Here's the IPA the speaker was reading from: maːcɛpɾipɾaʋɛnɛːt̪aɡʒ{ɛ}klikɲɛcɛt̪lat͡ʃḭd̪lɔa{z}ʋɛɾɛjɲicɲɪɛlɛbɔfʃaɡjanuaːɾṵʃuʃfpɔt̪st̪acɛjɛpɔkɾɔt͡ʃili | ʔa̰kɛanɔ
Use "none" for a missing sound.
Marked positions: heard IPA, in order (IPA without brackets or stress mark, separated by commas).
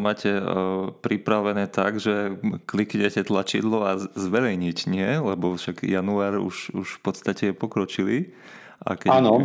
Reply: ɛ, z